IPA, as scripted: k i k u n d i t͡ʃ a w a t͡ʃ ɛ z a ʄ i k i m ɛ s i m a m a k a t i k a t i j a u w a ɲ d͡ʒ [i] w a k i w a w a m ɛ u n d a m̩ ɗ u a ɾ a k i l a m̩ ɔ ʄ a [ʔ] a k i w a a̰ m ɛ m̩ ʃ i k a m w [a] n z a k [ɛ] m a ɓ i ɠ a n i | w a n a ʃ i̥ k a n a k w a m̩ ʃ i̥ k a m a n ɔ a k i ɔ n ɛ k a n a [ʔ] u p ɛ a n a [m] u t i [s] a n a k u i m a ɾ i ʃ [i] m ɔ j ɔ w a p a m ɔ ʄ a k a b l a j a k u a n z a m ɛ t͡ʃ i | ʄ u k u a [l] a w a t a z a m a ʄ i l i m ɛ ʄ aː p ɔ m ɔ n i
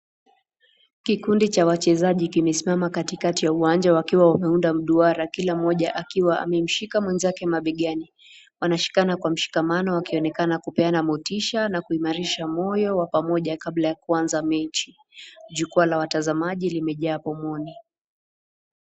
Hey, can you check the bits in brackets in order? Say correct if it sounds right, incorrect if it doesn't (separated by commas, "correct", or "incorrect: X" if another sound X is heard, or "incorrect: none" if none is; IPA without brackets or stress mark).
incorrect: a, correct, incorrect: ɛ, correct, incorrect: k, correct, incorrect: ʃ, incorrect: a, correct